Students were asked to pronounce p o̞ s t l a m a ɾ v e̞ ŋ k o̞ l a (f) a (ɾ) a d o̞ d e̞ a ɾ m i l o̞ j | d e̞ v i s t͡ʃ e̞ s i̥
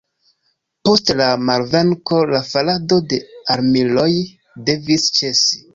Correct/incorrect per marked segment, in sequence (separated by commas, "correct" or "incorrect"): correct, incorrect